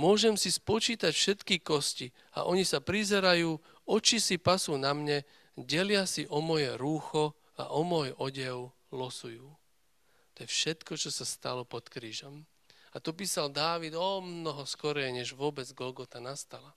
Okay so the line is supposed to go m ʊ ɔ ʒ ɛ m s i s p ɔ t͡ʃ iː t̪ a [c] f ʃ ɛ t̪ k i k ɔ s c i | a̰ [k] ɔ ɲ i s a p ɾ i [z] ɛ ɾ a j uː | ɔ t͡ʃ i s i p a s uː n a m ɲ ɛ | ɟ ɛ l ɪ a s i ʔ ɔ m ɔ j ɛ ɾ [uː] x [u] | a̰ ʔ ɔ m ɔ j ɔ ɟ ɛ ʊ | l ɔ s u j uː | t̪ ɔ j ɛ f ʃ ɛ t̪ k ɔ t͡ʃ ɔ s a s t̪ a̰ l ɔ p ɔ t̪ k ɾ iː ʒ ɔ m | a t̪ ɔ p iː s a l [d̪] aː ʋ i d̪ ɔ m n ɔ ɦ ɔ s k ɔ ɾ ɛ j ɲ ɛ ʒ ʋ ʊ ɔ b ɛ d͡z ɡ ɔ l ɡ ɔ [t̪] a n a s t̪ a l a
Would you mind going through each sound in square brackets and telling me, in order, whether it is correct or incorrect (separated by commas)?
correct, incorrect, correct, correct, incorrect, correct, correct